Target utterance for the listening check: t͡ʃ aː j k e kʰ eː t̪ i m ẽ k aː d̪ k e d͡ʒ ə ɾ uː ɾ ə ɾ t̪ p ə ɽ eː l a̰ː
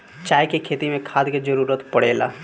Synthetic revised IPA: t͡ʃ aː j k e kʰ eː t̪ i m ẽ kʰ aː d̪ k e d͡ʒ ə ɾ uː ɾ ə t̪ p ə ɽ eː l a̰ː